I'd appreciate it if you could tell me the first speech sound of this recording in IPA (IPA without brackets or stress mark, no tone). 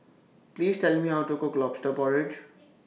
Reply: p